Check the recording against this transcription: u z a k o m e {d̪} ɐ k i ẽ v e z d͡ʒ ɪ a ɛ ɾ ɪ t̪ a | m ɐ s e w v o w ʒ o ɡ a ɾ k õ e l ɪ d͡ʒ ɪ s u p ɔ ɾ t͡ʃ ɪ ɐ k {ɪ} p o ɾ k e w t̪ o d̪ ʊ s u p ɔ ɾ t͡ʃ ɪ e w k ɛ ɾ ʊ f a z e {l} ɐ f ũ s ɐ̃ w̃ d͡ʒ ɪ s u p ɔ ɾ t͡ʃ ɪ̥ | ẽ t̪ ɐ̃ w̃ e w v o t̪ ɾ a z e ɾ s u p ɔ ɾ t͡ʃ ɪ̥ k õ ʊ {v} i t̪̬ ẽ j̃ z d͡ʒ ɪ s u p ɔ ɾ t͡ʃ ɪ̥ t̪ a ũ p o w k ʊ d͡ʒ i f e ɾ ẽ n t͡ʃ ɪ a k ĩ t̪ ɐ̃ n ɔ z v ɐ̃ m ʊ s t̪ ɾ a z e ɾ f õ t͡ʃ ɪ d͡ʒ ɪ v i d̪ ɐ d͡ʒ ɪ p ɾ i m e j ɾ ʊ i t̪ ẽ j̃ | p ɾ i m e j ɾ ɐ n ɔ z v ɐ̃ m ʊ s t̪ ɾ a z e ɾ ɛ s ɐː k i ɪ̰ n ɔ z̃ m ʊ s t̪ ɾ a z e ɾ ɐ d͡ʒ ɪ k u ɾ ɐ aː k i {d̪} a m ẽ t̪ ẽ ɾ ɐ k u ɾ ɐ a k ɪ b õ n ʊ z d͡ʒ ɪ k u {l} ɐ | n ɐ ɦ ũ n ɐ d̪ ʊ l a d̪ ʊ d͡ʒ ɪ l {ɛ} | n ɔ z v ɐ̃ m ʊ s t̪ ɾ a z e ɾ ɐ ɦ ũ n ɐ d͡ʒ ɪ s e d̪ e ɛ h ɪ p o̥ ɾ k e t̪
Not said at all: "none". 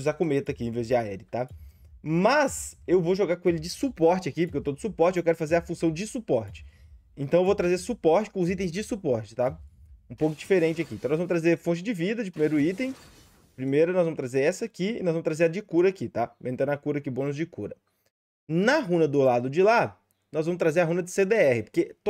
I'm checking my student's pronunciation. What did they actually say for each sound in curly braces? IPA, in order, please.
t̪, i, ɾ, z, t̪, ɾ, a

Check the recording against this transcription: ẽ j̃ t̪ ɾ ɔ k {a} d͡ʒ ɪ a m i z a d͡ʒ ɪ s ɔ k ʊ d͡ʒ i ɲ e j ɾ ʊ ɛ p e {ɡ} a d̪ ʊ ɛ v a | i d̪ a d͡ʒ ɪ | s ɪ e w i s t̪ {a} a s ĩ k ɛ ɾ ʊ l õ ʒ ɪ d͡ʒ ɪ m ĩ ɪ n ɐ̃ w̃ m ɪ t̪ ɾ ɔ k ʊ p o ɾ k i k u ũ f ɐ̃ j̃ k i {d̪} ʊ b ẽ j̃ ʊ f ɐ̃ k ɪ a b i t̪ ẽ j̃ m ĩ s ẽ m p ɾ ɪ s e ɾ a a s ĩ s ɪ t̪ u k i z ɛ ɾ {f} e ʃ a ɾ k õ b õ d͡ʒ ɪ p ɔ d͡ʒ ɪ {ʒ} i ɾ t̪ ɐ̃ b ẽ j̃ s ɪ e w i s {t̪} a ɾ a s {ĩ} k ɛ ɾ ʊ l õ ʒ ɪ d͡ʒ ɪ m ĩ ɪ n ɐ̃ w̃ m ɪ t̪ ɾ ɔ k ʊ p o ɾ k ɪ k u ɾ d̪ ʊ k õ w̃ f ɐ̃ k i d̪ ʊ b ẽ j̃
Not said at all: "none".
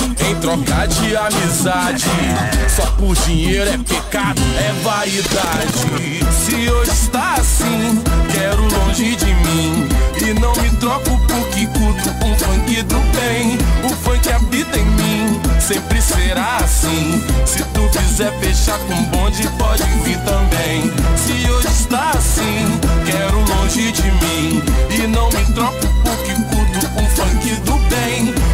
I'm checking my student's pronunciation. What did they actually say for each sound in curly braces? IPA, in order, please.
a, k, a, d̪, f, v, t̪, ĩ

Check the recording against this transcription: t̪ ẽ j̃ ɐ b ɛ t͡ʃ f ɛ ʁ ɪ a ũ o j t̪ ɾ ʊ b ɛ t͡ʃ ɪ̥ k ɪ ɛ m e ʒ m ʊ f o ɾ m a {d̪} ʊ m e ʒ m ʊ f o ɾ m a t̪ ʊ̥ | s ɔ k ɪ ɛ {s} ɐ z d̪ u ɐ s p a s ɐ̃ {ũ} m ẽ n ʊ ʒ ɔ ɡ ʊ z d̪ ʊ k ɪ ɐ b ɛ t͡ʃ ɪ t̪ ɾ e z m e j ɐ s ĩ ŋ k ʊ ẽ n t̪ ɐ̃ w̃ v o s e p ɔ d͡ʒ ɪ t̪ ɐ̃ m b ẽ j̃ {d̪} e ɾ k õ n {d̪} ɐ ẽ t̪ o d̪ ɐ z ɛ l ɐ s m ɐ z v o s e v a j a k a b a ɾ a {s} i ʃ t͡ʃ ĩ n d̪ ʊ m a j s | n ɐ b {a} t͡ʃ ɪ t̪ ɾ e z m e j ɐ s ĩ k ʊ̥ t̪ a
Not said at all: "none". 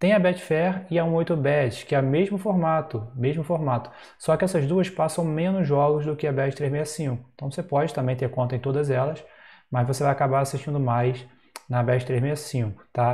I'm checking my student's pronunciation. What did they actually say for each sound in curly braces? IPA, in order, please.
t̪, s, w̃, t̪, t̪, s, ɛ

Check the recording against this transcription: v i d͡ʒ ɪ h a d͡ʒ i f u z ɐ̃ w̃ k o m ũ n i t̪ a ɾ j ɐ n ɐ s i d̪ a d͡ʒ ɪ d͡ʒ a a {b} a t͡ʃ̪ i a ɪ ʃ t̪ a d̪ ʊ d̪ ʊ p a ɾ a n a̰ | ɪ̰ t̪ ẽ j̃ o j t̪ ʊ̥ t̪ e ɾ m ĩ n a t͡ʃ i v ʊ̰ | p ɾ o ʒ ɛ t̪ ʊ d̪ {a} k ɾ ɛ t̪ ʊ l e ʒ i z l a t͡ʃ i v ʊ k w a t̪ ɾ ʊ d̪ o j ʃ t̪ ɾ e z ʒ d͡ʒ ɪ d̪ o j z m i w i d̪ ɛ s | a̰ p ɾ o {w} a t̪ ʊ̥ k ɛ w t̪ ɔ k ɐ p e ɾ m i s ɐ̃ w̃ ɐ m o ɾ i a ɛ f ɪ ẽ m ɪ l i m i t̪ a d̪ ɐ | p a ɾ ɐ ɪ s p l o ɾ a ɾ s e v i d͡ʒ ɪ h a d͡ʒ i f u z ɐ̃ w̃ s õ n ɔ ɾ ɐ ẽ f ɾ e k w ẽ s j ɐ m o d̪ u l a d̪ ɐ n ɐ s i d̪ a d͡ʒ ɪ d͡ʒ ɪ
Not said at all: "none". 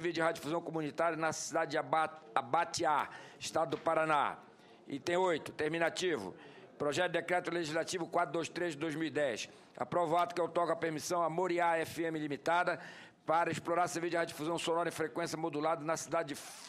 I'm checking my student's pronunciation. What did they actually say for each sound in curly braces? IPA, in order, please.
b, e, v

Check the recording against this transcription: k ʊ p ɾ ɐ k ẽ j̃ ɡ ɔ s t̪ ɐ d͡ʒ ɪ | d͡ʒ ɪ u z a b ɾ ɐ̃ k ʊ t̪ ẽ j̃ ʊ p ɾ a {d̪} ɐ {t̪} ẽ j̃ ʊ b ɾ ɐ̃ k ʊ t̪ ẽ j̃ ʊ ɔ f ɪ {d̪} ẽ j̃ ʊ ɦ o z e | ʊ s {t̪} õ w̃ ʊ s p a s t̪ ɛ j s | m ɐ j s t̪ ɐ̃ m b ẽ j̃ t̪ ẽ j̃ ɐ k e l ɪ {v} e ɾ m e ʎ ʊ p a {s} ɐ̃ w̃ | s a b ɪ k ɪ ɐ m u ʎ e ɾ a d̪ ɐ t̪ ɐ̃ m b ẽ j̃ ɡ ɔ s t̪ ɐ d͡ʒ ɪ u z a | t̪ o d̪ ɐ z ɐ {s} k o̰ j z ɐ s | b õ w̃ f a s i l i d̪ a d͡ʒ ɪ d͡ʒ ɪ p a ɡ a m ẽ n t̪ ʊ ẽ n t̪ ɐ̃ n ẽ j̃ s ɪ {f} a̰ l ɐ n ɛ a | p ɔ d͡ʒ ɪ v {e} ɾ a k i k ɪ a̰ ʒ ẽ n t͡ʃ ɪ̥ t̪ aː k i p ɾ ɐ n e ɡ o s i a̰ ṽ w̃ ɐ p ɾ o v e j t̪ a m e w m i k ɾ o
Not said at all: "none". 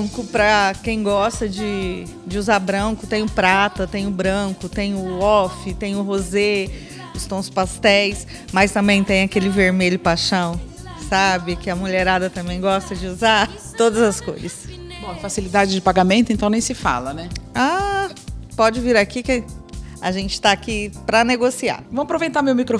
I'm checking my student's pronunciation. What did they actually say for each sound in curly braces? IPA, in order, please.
t̪, t̪, t̪, t̪, v, ʃ, s, f, i

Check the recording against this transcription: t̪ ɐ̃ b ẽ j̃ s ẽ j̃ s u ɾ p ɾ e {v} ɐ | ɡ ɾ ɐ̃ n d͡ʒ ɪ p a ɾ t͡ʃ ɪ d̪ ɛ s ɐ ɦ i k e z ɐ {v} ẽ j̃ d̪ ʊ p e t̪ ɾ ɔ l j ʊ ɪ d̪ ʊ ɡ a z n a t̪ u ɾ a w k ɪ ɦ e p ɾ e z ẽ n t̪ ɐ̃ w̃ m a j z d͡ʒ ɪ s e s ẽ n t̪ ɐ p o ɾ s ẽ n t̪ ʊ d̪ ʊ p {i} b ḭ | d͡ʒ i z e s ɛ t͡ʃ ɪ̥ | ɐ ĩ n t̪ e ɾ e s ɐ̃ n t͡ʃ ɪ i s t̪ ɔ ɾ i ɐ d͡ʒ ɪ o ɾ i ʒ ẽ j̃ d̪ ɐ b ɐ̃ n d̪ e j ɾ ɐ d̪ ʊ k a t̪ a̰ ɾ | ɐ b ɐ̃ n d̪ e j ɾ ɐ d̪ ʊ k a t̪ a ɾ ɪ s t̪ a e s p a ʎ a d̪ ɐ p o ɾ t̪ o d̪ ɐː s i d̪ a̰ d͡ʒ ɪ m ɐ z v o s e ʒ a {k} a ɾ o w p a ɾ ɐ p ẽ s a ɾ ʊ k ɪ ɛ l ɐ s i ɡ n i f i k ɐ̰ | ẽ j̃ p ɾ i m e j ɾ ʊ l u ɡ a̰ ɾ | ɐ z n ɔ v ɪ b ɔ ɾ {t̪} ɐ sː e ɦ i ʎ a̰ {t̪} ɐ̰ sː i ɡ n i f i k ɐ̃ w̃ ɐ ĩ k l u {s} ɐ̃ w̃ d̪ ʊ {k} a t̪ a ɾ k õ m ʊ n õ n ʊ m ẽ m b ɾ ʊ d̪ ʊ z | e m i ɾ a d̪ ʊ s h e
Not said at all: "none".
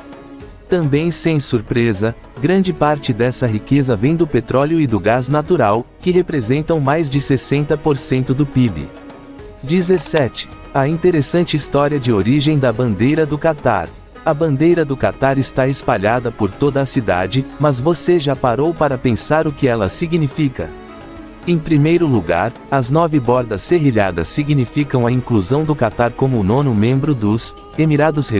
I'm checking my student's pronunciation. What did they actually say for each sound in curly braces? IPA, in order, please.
z, v, i, p, d̪, d̪, z, k

